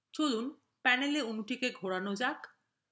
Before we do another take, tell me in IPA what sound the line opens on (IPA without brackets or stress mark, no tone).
t͡ɕ